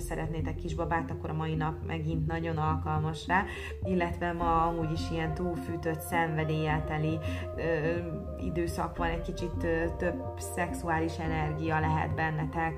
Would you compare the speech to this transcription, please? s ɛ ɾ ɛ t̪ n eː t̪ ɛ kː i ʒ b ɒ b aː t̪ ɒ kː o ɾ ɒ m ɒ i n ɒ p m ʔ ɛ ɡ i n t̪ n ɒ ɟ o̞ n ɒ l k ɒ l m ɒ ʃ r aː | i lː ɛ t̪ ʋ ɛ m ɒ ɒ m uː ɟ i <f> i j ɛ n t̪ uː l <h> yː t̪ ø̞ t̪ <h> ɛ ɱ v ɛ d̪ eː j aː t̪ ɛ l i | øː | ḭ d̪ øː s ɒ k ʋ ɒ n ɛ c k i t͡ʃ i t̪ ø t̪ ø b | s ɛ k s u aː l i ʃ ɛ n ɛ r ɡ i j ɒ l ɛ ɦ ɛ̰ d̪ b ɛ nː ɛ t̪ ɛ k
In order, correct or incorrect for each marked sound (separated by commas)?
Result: incorrect, incorrect, incorrect